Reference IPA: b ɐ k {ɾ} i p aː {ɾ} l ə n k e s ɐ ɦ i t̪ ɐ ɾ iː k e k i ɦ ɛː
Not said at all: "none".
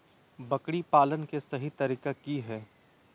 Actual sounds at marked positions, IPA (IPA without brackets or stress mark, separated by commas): ɽ, none